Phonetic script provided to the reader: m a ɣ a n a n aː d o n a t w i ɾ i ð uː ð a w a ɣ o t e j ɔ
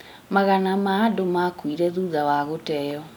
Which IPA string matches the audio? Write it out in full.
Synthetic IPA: m a ɣ a n a m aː d o m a k w i ɾ ɛ ð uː ð a w a ɣ o t ɛ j ɔ